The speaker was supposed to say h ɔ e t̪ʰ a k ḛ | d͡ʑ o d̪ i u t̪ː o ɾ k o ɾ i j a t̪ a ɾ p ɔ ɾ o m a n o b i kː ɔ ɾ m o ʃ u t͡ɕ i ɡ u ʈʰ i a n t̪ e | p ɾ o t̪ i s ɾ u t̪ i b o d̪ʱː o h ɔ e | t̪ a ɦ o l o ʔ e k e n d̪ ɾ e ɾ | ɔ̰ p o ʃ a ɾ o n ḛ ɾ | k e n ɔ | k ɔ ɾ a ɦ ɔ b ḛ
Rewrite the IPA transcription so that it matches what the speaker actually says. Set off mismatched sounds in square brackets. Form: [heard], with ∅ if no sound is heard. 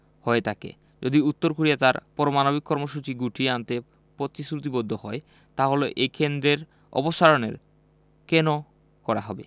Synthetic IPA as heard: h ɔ e t̪ʰ a k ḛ | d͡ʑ o d̪ i u t̪ː o ɾ k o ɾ i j a t̪ a ɾ p ɔ ɾ o m a n o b i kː ɔ ɾ m o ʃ u t͡ɕ i ɡ u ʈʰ i a n t̪ e | p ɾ o t̪ i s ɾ u t̪ i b o d̪ʱː o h ɔ e | t̪ a ɦ o l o ʔ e k e n d̪ ɾ e ɾ | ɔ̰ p o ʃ a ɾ o n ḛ ɾ | k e n [o] | k ɔ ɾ a ɦ ɔ b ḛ